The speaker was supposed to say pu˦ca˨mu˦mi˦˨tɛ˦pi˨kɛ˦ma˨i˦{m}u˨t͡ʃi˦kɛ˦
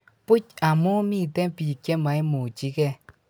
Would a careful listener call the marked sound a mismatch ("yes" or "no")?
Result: no